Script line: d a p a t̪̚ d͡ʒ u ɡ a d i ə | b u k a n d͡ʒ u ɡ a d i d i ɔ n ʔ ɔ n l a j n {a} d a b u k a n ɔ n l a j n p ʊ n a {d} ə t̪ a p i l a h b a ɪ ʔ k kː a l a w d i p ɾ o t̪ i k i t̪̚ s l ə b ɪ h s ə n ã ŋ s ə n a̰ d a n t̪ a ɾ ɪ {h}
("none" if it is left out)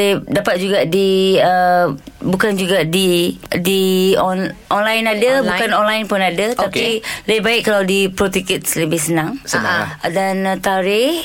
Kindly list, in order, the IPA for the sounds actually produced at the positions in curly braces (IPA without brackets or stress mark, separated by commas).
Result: a, d, h